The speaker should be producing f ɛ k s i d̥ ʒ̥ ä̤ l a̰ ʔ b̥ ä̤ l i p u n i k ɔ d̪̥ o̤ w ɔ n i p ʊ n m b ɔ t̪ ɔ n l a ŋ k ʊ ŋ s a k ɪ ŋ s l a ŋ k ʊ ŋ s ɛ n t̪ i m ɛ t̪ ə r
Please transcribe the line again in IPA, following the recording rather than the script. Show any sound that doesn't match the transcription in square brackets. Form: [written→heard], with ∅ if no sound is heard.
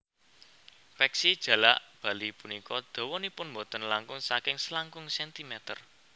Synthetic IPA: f ɛ k s i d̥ ʒ̥ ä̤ l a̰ ʔ b̥ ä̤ l i p u n i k ɔ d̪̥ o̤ w ɔ n i p ʊ n m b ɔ t̪ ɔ n l a ŋ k ʊ ŋ s a k ɪ ŋ s l a ŋ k ʊ ŋ s ɛ n t̪ i m ɛ t̪ ə r

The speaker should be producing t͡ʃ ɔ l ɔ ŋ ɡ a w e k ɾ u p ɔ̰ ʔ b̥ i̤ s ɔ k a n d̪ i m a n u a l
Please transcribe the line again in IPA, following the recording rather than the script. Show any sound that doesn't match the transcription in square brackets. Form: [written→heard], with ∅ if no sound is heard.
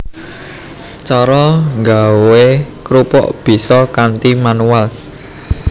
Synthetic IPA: t͡ʃ ɔ [l→ɾ] ɔ ŋ ɡ a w e k ɾ u p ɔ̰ ʔ b̥ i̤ s ɔ k a n [d̪→t̪] i m a n u a l

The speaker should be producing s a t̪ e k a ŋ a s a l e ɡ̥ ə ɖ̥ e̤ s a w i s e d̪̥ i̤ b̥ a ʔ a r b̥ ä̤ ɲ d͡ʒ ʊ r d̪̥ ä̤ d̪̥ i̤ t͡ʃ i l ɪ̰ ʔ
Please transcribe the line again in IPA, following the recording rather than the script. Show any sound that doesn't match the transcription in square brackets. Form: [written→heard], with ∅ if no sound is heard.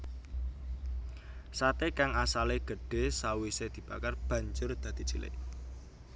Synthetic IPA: s a t̪ e k a ŋ a s a l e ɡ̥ ə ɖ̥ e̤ s a w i s e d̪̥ i̤ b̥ a [ʔ→k] a r b̥ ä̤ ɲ d͡ʒ ʊ r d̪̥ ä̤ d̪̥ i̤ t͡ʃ i l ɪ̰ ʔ

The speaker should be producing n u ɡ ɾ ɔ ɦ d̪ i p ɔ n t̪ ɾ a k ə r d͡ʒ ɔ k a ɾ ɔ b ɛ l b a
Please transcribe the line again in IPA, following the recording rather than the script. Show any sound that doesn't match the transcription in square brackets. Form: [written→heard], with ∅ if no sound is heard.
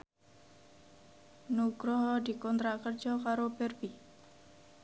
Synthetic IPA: n u ɡ ɾ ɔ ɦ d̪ i [p→k] ɔ n t̪ ɾ a k ə r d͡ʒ ɔ k a ɾ [ɔ→o] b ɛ [l→r] b [a→i]

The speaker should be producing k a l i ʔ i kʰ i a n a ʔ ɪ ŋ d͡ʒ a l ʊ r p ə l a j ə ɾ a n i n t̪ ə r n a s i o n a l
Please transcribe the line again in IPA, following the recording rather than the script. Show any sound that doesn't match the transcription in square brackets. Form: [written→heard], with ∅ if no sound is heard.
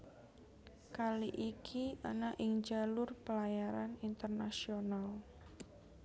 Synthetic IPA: k a l i ʔ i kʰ i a n a ʔ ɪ ŋ d͡ʒ a l ʊ r p ə l a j [ə→a] ɾ a n i n t̪ ə r n a s i o n a l

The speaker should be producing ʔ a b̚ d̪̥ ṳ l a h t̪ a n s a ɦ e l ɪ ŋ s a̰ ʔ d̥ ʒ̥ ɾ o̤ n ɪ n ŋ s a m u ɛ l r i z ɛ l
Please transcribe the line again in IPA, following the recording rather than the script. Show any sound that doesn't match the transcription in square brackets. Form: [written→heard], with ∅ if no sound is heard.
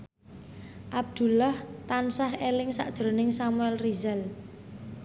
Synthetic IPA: ʔ a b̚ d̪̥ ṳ l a h t̪ a n s a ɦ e l ɪ ŋ s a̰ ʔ d̥ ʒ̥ ɾ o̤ n ɪ [n→∅] ŋ s a m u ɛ l r i z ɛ l

